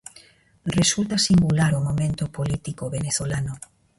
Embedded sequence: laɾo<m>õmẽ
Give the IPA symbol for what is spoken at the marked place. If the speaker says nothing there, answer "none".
m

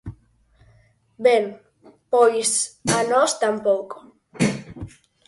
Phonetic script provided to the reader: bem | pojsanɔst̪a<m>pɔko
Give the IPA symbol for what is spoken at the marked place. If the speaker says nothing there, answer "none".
m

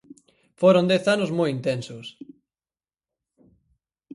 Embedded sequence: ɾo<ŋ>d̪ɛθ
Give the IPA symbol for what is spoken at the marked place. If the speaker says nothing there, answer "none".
n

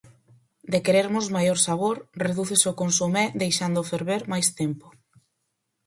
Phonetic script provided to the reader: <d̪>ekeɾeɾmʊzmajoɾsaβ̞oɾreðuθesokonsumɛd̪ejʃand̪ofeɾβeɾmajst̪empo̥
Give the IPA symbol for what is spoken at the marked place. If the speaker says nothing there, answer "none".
d̪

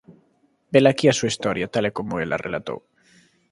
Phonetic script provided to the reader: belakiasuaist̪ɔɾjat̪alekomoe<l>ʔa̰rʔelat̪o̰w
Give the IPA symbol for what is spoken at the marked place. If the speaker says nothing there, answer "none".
l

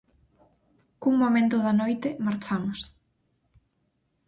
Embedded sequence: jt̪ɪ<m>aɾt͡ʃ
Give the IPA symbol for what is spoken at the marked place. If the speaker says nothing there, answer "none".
m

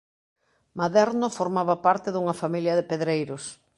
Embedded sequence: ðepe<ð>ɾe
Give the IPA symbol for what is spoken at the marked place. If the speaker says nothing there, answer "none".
ð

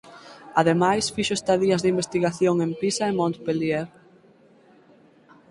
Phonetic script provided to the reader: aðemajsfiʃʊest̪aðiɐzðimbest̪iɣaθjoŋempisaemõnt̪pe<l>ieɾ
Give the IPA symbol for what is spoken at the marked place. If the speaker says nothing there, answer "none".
l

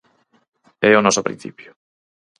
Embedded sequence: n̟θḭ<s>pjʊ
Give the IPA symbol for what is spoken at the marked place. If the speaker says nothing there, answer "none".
none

